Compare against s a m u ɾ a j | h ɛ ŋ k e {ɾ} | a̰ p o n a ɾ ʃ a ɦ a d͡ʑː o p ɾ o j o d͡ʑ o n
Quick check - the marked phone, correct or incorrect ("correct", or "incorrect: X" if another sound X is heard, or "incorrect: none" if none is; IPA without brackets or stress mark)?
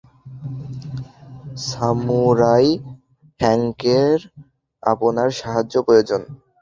correct